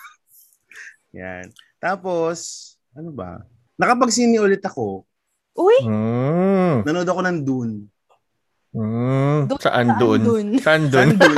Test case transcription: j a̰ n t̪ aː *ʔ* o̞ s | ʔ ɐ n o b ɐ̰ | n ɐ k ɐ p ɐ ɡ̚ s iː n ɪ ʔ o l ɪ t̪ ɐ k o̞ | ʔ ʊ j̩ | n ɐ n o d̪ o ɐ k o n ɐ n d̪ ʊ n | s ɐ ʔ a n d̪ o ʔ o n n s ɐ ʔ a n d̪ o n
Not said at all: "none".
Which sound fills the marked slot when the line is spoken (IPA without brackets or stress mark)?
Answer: p